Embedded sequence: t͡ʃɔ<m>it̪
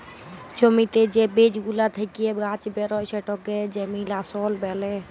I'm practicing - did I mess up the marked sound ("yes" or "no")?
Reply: no